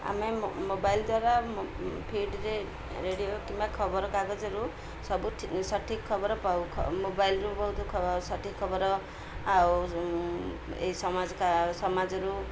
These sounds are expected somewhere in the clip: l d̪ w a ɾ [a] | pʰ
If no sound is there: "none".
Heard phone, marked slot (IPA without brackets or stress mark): a